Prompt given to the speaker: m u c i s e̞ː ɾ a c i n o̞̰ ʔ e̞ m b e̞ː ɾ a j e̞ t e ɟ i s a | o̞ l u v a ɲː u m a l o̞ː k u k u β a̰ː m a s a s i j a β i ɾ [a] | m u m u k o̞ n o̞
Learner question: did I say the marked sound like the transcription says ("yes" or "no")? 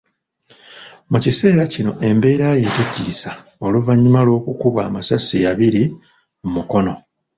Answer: no